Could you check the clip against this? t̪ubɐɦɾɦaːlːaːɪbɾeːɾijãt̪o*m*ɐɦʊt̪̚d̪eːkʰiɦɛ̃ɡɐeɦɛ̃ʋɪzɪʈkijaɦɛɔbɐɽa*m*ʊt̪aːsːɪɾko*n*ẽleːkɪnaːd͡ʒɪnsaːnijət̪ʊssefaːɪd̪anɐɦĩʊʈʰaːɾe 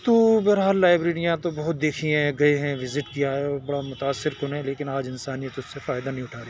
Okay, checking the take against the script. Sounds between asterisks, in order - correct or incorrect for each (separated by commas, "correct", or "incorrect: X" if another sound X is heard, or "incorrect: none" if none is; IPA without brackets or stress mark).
incorrect: b, correct, correct